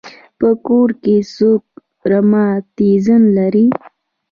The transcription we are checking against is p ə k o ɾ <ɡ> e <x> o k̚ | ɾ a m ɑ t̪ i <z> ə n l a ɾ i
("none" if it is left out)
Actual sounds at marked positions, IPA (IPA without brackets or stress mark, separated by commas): k, s, z